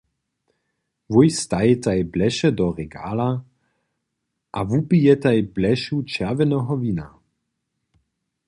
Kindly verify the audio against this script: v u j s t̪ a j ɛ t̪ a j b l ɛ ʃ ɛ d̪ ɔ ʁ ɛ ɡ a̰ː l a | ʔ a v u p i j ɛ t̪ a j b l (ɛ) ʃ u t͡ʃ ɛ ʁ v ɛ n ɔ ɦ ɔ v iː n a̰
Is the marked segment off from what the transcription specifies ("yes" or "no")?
no